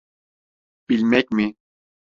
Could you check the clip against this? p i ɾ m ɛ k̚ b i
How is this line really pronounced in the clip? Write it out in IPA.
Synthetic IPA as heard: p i l m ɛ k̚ m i